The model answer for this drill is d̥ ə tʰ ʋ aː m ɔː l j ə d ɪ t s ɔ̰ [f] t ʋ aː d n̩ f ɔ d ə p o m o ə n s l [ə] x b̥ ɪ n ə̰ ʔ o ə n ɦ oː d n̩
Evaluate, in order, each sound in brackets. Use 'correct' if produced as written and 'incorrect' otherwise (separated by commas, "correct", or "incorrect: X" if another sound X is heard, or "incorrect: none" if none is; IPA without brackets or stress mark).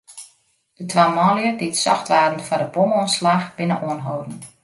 incorrect: x, incorrect: a